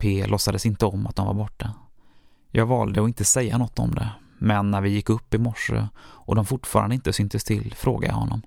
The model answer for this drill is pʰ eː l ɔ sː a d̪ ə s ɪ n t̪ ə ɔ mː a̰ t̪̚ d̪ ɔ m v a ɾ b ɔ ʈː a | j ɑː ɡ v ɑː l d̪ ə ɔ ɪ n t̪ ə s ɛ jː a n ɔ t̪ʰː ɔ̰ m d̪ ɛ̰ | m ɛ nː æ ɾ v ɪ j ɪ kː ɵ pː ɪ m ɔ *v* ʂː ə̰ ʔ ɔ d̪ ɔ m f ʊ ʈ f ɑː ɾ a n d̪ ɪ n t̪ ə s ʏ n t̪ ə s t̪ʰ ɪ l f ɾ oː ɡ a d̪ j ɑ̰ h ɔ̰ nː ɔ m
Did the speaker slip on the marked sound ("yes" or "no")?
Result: yes